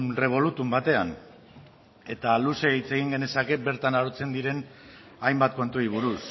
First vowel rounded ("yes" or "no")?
no